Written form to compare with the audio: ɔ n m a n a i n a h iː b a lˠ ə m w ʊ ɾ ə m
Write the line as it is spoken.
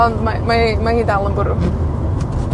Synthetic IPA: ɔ n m a m a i m a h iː d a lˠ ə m b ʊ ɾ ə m